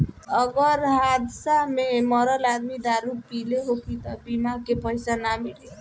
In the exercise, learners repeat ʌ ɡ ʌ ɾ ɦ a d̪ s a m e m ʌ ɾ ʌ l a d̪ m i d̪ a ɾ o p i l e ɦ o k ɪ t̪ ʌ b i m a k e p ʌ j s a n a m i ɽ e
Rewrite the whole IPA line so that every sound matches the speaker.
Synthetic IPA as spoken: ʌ ɡ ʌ ɾ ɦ a d̪ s a m e m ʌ ɾ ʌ l a d̪ m i d̪ a ɾ u p i l e ɦ o k i t̪ ʌ b i m a k e p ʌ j s a n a m i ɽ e